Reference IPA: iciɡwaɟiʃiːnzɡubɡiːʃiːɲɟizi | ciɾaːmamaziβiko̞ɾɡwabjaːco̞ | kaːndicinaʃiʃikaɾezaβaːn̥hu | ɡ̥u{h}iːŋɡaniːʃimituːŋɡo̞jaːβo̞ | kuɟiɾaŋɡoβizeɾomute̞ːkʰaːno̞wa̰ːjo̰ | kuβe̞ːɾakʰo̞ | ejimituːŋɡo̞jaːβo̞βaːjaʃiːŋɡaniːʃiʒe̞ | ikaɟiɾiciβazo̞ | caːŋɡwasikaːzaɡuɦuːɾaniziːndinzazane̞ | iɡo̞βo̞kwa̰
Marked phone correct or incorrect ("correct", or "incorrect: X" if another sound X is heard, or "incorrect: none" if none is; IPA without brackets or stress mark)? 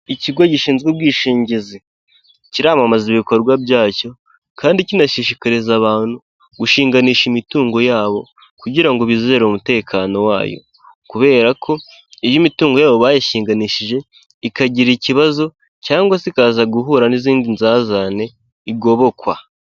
incorrect: ʃ